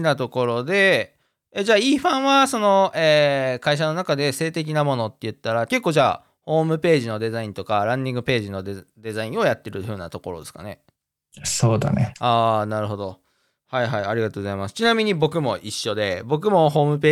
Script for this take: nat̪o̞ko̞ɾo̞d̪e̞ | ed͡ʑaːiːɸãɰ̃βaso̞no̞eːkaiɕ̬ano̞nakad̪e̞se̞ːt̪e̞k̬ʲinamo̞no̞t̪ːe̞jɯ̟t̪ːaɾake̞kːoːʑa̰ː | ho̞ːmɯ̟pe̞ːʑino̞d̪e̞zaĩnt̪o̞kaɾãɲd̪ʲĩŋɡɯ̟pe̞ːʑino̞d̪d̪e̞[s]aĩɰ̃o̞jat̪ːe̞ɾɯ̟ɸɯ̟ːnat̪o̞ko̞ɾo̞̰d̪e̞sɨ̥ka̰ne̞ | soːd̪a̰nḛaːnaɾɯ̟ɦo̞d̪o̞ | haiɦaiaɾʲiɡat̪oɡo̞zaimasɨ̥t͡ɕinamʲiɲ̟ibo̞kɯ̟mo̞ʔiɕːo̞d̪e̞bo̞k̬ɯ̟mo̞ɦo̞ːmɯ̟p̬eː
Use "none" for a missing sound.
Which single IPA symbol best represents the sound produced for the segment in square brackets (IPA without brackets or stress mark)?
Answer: z